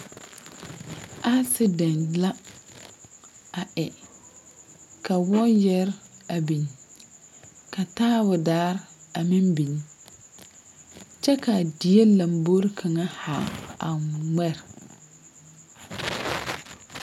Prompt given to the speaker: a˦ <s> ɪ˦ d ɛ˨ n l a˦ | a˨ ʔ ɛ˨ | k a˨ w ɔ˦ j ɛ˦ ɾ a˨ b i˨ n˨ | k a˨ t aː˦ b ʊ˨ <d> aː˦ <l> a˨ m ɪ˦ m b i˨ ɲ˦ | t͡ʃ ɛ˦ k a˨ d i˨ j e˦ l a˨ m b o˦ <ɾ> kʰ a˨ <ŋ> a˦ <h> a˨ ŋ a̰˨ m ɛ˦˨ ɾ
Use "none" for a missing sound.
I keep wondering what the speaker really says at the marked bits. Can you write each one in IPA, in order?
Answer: s, d, ɾ, ɾ, ŋ, h

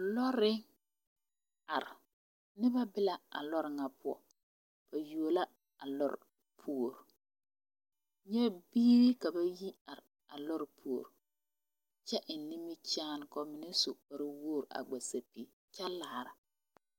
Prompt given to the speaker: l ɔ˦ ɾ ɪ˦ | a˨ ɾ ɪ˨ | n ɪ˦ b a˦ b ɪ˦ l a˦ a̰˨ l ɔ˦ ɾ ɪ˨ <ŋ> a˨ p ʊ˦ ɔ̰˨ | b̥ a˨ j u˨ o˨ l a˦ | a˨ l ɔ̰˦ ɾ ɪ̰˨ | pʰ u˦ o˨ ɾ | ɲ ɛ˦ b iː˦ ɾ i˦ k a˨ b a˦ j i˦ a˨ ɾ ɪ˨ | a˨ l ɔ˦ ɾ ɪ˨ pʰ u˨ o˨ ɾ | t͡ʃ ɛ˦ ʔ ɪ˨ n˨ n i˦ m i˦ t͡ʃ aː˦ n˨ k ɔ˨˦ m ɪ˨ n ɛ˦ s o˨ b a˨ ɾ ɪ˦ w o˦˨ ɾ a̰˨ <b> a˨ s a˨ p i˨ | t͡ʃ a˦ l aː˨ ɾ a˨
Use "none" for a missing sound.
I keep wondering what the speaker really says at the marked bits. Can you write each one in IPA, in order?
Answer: ŋ, ɡ͡b

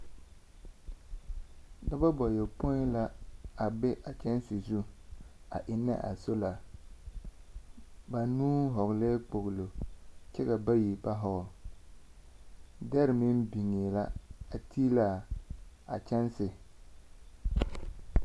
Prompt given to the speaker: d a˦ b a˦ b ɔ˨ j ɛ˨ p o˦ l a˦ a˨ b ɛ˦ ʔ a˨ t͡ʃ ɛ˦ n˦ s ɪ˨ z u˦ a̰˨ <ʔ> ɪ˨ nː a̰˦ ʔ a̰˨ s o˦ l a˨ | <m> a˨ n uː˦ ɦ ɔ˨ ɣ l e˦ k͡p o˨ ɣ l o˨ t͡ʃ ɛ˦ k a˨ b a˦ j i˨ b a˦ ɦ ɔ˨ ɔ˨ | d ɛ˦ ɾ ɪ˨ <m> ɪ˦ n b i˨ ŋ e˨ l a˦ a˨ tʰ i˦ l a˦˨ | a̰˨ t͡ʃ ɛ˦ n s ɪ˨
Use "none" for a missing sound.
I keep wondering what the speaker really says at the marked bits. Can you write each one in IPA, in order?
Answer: ʔ, b, m

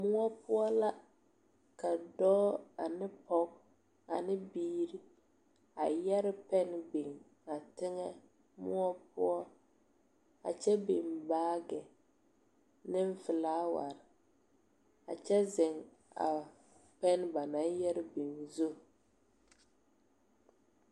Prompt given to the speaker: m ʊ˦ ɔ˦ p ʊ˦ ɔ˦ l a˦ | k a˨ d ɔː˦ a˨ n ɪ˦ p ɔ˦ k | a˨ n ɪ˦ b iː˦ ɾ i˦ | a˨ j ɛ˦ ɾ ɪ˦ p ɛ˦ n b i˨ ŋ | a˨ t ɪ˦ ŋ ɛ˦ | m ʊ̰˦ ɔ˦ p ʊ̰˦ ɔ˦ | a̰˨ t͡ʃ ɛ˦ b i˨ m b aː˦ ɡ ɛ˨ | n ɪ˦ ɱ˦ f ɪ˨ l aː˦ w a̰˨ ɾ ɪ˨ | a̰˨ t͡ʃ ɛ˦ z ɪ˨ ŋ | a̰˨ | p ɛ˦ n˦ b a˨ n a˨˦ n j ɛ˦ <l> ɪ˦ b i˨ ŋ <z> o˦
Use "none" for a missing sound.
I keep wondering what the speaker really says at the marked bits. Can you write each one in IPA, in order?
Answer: ɾ, z

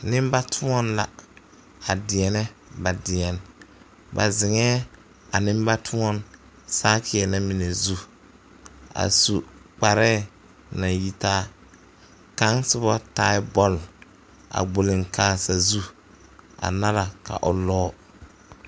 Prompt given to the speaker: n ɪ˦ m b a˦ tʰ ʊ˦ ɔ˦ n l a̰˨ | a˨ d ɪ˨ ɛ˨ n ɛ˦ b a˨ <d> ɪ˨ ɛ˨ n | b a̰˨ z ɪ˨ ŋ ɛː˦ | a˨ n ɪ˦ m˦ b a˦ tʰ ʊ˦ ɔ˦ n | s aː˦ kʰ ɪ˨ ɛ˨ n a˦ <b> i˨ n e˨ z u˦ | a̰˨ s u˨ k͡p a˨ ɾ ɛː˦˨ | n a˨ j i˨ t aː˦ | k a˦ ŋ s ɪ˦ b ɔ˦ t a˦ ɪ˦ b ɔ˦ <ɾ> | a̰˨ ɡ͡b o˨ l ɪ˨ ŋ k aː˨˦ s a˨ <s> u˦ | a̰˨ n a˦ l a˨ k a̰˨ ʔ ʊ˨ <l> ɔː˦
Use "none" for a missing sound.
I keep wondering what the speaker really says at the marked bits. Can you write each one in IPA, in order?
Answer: d, m, l, z, l

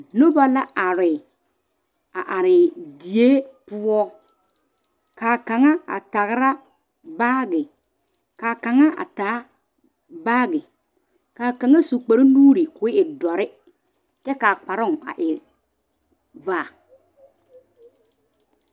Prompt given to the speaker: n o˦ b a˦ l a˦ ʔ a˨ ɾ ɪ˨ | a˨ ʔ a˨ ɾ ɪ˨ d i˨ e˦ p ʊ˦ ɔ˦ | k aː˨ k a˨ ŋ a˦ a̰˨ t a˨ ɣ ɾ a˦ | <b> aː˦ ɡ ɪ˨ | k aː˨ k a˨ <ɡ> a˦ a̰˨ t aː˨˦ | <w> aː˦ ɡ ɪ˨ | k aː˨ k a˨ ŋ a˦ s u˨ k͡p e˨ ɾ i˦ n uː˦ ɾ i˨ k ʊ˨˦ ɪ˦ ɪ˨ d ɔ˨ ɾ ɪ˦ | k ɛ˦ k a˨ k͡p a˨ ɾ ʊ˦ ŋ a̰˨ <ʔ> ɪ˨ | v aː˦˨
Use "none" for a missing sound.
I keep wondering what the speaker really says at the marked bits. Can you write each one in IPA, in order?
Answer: b, ŋ, b, ʔ

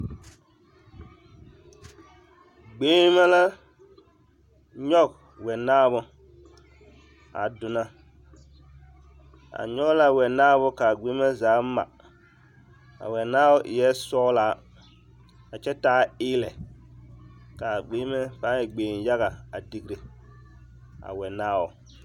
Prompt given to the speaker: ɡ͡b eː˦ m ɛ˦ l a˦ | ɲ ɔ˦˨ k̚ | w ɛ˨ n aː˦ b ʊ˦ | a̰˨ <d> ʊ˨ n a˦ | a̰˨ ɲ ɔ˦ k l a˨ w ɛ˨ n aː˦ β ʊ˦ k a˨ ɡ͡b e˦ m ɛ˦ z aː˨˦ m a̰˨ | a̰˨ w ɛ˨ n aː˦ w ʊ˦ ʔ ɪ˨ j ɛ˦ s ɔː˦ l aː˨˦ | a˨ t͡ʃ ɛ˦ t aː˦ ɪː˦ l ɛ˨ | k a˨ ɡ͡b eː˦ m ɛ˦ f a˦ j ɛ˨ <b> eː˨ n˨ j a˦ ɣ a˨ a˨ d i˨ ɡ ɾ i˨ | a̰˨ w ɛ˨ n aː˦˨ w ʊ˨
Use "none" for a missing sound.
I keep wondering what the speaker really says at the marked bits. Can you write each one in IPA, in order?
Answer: d, ɡ͡b

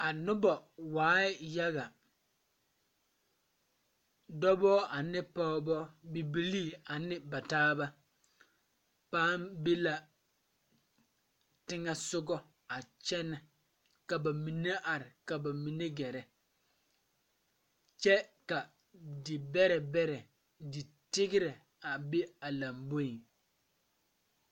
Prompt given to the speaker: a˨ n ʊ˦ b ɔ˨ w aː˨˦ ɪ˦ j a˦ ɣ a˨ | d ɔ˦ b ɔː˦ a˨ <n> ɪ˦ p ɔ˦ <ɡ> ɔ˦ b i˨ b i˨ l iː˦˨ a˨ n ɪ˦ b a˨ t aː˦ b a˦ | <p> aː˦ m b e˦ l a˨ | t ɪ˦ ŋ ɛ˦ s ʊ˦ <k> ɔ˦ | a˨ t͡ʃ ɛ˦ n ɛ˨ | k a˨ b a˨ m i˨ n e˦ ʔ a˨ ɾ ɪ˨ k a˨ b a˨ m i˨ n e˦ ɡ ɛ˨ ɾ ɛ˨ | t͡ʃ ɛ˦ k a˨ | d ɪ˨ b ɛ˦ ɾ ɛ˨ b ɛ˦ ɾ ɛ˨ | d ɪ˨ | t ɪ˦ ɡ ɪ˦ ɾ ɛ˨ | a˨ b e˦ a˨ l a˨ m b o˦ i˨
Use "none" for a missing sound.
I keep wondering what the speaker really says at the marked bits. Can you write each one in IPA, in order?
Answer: n, b, p, ɡ

